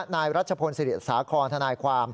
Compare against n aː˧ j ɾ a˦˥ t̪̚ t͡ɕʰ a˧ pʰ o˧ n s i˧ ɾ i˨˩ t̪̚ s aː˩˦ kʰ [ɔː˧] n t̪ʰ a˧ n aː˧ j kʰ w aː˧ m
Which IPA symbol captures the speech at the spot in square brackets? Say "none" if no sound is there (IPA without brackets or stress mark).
ɔː˧